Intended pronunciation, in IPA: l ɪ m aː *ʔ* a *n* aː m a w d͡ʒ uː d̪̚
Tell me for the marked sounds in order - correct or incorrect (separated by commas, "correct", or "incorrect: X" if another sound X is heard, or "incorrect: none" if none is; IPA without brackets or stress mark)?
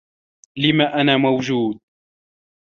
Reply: correct, correct